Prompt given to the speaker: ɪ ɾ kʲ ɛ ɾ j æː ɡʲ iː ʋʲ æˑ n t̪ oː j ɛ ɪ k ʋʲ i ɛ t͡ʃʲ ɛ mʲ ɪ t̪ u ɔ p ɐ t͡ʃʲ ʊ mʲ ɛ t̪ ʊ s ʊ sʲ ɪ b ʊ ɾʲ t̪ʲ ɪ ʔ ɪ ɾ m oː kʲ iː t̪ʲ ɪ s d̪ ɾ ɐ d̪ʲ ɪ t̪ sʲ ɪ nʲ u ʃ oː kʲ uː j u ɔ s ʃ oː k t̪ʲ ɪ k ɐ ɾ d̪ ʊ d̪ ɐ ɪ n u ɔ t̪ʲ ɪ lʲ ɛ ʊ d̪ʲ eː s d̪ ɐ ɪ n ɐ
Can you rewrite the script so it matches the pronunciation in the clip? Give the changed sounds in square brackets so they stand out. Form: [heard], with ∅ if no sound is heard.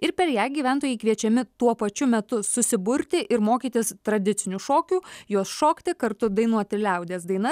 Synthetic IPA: ɪ ɾ [pʲ] ɛ ɾ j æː ɡʲ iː ʋʲ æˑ n t̪ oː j ɛ ɪ k ʋʲ i ɛ t͡ʃʲ ɛ mʲ ɪ t̪ u ɔ p ɐ t͡ʃʲ ʊ mʲ ɛ t̪ ʊ s ʊ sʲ ɪ b ʊ ɾʲ t̪ʲ ɪ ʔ ɪ ɾ m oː kʲ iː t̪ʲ ɪ s [t̪] ɾ ɐ d̪ʲ ɪ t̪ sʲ ɪ nʲ u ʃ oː kʲ uː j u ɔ s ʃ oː k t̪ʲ ɪ k ɐ ɾ [t̪] ʊ d̪ ɐ ɪ n u ɔ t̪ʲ ɪ lʲ ɛ ʊ d̪ʲ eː s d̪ ɐ ɪ n ɐ